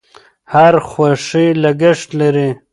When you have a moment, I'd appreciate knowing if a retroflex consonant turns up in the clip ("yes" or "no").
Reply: yes